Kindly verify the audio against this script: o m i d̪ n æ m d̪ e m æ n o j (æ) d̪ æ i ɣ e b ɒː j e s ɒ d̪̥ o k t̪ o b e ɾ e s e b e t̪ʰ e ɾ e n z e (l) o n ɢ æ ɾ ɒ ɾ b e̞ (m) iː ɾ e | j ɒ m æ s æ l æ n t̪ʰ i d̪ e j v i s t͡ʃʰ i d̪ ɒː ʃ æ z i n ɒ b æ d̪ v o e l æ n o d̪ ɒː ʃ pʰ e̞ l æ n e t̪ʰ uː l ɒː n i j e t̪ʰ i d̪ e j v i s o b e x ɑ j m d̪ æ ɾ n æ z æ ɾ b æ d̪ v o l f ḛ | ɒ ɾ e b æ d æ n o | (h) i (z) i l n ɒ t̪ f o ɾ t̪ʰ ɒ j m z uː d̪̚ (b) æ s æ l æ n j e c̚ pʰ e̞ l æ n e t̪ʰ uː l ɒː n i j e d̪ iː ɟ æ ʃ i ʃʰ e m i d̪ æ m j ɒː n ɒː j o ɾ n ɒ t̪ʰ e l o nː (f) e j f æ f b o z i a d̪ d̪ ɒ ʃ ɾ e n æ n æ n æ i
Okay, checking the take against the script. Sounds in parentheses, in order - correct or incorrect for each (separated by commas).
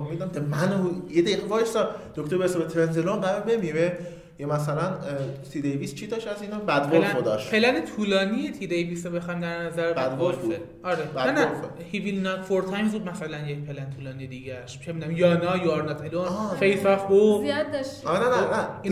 incorrect, correct, correct, correct, incorrect, incorrect, correct